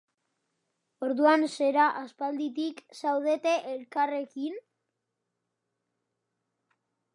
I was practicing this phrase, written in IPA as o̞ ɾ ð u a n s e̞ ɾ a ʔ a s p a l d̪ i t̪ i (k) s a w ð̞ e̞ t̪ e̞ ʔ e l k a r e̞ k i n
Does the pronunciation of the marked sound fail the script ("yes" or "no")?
no